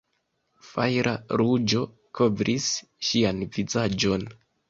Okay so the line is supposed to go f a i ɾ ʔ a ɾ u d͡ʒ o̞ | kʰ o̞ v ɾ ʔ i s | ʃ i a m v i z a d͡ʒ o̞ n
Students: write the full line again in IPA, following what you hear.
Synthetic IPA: f a j ɾ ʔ a ɾ u d͡ʒ o̞ | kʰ o̞ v ɾ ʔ i s | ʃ i a n v i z a d͡ʒ o̞ n